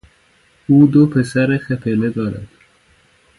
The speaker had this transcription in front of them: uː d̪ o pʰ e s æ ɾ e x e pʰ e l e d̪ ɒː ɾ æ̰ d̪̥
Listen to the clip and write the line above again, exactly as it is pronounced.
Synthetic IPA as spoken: uː d̪ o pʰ e s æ ɾ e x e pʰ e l e d̪ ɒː ɾ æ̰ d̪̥